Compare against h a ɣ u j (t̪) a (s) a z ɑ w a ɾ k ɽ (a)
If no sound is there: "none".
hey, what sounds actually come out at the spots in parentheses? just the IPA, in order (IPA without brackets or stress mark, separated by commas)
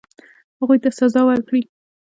t̪, s, i